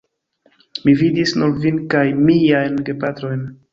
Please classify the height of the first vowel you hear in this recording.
high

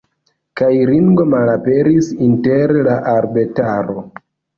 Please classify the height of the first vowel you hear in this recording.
low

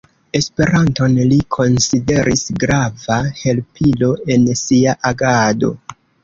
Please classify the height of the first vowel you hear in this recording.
mid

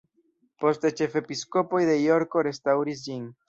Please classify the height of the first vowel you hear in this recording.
mid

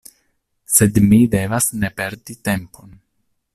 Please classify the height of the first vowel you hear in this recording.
mid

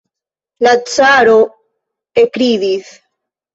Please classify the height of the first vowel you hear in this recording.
low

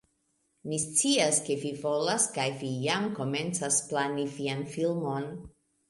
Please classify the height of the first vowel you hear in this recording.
high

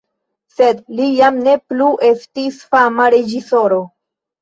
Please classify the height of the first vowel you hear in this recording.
mid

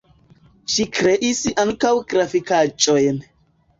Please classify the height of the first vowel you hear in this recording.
high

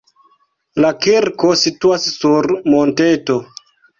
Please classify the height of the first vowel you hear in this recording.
low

